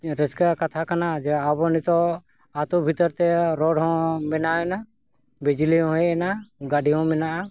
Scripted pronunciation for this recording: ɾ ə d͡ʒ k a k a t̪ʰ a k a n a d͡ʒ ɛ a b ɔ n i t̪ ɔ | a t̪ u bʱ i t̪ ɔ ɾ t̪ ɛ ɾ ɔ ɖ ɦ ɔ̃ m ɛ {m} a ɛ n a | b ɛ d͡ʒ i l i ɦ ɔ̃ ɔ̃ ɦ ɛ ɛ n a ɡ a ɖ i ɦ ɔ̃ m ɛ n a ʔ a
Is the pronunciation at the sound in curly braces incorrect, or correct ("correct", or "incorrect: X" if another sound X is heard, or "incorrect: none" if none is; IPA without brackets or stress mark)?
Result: incorrect: n